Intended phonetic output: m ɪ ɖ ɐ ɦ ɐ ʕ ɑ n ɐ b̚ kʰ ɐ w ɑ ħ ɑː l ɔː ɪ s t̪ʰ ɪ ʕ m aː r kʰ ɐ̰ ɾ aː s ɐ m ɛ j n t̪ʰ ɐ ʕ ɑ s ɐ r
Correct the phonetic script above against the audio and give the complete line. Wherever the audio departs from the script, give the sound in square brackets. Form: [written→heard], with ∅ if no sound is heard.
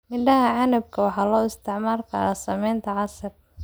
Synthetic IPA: m ɪ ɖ ɐ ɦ ɐ ʕ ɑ n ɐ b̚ kʰ ɐ w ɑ ħ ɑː l ɔː ɪ s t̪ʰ ɪ ʕ m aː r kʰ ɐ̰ ɾ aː s ɐ m ɛ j n t̪ʰ ɐ ʕ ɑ s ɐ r